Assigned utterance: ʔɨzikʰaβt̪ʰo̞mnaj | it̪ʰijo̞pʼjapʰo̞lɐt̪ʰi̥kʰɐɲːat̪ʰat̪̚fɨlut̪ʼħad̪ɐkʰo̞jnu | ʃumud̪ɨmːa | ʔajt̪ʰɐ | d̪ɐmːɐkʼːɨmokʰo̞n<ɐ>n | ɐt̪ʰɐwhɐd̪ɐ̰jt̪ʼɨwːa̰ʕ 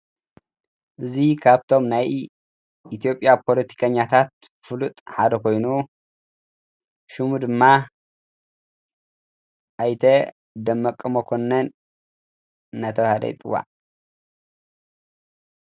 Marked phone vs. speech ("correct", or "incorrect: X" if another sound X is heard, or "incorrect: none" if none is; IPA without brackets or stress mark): correct